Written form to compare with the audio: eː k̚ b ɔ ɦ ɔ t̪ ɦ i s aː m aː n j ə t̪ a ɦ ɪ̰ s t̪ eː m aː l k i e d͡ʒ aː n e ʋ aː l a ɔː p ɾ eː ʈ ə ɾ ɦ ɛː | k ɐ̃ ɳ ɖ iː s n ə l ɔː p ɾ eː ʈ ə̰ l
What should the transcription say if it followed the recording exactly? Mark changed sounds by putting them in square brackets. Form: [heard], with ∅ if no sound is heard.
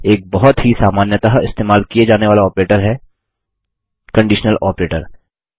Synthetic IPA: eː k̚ b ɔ ɦ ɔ t̪ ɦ i s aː m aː n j ə t̪ a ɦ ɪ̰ s t̪ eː m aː l k i e d͡ʒ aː n e ʋ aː l a ɔː p ɾ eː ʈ ə ɾ ɦ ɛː | k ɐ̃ ɳ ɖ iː [ʃ] n ə l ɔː p ɾ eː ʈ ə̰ [ɾ]